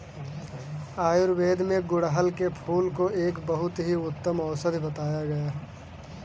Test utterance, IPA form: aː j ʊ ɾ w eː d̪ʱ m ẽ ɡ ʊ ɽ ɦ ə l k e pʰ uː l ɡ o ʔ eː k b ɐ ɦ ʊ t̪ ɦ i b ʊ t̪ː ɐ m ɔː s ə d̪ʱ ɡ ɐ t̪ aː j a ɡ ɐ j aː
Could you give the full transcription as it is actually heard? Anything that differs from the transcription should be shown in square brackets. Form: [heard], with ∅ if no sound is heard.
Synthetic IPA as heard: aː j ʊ ɾ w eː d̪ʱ m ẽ ɡ ʊ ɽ ɦ ə l k e pʰ uː l [k] o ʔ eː k b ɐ ɦ ʊ t̪ ɦ i [∅] ʊ t̪ː [ə] m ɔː s ə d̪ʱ [b] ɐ t̪ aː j a ɡ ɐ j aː